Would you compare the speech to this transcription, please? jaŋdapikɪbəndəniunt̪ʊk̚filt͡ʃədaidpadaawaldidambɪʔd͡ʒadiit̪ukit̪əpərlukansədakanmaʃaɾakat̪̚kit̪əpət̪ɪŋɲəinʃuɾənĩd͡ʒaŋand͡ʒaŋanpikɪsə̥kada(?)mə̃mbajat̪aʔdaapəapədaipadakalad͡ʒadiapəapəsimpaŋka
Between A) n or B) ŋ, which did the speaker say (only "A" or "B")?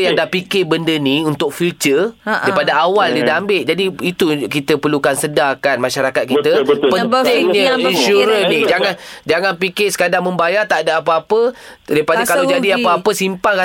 B